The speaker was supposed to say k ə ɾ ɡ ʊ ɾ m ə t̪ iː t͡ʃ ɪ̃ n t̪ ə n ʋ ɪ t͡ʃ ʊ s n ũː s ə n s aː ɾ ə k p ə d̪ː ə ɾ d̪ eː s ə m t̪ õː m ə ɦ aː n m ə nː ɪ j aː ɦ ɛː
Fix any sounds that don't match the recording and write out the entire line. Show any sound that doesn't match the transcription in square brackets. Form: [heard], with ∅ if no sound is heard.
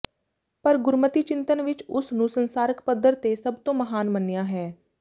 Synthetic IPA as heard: [p] ə ɾ ɡ ʊ ɾ m ə t̪ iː t͡ʃ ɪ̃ n t̪ ə n ʋ ɪ t͡ʃ ʊ s n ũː s ə n s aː ɾ ə k p ə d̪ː ə ɾ [t̪] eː s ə [b] t̪ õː m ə ɦ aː n m ə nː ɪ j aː ɦ ɛː